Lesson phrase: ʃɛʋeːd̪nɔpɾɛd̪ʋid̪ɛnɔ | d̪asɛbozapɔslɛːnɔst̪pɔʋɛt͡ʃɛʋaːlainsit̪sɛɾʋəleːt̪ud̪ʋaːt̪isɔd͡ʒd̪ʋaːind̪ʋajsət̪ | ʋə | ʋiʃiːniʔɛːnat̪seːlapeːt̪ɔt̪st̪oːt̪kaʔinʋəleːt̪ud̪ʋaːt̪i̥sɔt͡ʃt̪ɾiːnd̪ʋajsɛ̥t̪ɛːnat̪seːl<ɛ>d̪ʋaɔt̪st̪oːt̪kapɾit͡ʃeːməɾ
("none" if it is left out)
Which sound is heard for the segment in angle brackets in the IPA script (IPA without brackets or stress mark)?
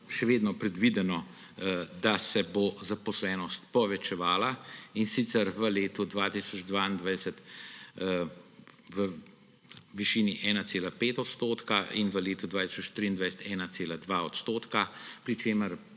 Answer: a